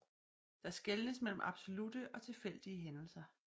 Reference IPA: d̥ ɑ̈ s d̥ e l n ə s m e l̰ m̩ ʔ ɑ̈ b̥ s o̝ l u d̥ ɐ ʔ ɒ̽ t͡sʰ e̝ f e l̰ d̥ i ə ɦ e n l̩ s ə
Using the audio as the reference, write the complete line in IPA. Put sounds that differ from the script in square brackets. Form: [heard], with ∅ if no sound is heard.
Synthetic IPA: d̥ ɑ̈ s [ɡ̥] e l n ə s m e l̰ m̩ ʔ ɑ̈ b̥ s o̝ l u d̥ [ə] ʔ ɒ̽ t͡sʰ e̝ f e l̰ d̥ i ə ɦ e n l̩ s [ɐ]